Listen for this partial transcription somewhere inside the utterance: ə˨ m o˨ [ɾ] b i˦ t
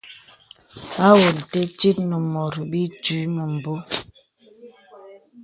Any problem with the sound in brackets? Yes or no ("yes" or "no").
no